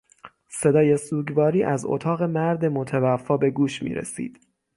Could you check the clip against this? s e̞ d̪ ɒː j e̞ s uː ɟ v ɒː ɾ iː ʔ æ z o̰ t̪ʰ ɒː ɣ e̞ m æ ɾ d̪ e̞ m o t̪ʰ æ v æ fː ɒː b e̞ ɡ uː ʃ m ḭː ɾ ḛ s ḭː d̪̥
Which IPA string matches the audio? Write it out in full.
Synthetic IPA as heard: s e̞ d̪ ɒː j e̞ s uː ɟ v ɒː ɾ iː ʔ æ z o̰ t̪ʰ ɒː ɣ e̞ m æ ɾ d̪ e̞ m o t̪ʰ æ v æ fː ɒː b e̞ ɡ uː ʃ m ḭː ɾ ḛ s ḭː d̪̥